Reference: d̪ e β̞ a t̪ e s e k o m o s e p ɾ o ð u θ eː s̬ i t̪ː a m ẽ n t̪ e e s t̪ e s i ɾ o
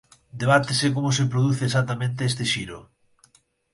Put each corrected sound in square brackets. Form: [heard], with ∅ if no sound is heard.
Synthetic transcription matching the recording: d̪ e β̞ a t̪ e s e k o m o s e p ɾ o ð u θ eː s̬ [a] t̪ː a m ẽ n t̪ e e s t̪ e [ʃ] i ɾ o